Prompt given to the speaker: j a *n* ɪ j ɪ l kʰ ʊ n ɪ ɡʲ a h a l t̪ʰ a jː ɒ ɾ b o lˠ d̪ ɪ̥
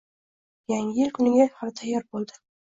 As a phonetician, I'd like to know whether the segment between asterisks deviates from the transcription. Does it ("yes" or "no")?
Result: yes